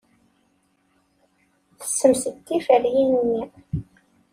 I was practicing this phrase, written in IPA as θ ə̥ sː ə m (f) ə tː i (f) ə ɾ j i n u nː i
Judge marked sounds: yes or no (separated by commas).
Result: no, yes